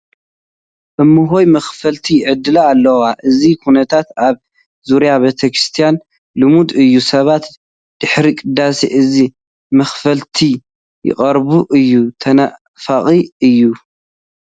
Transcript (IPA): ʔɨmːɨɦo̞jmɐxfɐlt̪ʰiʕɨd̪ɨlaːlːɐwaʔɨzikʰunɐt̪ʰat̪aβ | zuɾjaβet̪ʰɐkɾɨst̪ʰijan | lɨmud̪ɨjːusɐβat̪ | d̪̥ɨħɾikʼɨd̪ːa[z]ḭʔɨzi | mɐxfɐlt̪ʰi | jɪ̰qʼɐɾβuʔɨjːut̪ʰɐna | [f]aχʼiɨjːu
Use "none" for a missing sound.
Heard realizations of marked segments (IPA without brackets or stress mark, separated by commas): s, f